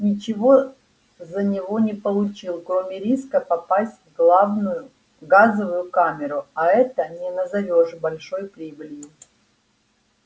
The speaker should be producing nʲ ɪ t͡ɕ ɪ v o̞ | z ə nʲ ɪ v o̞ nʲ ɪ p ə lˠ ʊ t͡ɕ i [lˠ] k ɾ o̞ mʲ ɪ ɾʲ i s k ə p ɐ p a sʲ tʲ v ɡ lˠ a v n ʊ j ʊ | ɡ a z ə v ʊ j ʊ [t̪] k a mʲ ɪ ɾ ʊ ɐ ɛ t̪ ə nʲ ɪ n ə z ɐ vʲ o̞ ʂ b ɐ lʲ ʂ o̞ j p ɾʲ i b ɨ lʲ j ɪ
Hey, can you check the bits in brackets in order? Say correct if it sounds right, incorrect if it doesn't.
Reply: correct, incorrect: none

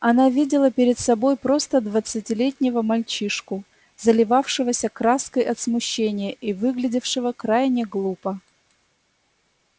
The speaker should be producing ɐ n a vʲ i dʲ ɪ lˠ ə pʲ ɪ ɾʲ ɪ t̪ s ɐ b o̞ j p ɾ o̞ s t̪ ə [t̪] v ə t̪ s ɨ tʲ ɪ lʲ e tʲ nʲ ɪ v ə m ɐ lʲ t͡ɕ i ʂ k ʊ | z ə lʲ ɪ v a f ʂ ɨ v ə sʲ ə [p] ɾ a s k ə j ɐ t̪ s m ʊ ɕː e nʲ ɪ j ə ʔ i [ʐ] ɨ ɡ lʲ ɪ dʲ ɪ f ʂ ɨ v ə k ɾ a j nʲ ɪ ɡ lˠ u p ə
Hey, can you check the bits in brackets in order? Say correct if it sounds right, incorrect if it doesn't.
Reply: incorrect: d̪, incorrect: k, incorrect: v

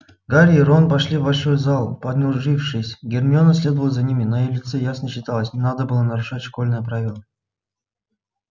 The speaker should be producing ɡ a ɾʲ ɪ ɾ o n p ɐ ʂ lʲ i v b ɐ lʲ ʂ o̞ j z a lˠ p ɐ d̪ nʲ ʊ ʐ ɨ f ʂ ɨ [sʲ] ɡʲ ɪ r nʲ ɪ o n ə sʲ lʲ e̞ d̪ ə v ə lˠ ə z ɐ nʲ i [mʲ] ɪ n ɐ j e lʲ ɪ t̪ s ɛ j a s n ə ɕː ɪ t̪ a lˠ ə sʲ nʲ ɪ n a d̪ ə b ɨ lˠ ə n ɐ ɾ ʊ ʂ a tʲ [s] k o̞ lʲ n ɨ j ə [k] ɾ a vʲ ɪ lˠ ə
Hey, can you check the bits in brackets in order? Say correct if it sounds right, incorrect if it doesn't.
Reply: correct, correct, incorrect: ʂ, incorrect: p

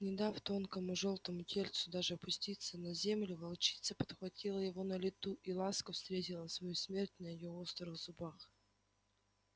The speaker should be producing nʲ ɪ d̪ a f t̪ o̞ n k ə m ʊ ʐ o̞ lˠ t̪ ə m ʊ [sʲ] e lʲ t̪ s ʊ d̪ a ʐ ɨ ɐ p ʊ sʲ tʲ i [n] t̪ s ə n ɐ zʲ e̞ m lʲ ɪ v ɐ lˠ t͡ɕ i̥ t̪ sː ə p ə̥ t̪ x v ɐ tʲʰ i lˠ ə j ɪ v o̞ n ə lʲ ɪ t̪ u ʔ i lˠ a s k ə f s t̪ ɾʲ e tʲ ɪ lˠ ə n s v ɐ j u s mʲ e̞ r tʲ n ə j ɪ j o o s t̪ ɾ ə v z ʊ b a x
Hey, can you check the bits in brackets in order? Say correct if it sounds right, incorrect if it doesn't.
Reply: incorrect: tʲ, incorrect: none

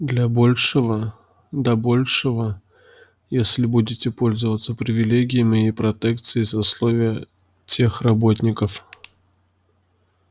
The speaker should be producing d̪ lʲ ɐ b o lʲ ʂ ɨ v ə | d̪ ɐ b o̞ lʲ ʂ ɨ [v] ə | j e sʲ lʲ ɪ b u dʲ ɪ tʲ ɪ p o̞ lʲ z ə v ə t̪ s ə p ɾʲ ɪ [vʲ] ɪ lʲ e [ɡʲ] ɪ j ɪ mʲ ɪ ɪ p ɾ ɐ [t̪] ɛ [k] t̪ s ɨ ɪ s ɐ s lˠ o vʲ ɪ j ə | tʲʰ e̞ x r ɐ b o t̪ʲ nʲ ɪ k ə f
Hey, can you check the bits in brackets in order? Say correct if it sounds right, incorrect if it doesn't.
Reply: correct, correct, correct, correct, correct

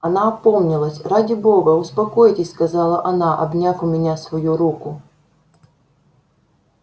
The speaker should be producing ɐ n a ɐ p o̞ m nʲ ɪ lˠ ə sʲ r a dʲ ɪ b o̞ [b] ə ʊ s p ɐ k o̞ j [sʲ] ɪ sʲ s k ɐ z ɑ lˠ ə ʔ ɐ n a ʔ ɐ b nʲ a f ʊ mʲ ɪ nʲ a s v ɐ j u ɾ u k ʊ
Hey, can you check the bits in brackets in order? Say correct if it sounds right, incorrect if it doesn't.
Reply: incorrect: ɡ, incorrect: tʲ

